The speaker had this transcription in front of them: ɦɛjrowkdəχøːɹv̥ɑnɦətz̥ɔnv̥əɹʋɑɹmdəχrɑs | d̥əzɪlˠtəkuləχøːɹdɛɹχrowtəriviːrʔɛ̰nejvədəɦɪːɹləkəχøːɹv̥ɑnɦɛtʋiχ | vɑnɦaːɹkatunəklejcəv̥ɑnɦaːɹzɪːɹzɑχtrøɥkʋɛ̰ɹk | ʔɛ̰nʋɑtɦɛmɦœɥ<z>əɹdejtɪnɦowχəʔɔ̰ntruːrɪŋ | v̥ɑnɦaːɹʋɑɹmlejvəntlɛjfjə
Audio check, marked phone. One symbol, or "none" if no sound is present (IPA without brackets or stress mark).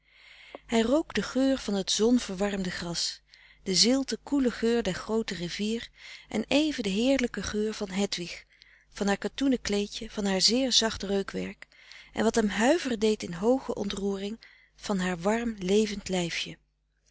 v